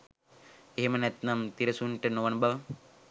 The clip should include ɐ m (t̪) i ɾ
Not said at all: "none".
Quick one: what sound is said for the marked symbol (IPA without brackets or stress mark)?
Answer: t̪